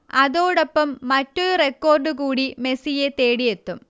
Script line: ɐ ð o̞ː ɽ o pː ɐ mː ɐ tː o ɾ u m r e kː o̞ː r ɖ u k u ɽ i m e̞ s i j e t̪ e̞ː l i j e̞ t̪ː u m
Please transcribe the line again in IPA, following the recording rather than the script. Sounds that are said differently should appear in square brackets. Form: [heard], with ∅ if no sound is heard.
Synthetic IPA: ɐ ð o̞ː ɽ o pː ɐ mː ɐ tː o ɾ u [∅] r e kː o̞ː r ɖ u k [uː] ɽ i m e̞ s i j e t̪ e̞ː [ɽ] i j e̞ t̪ː u m